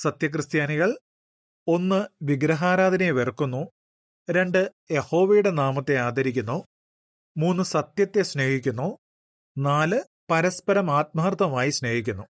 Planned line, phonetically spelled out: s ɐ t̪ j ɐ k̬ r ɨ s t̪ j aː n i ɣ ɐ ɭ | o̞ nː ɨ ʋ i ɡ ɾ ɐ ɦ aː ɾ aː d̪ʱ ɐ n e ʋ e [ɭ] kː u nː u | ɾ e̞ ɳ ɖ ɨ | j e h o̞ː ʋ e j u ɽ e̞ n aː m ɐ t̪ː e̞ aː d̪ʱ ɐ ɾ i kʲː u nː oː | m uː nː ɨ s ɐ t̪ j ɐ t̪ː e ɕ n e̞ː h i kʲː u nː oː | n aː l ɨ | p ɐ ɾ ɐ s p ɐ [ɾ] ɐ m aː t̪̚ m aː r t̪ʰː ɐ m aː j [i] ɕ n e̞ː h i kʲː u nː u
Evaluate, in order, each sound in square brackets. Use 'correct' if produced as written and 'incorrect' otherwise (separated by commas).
incorrect, correct, correct